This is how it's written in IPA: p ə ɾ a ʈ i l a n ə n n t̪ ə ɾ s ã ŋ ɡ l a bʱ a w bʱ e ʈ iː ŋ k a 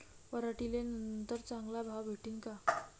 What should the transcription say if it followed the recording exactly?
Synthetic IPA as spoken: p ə ɾ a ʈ i l e n ə n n t̪ ə ɾ t͡s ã ŋ ɡ l a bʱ a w bʱ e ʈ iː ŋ k a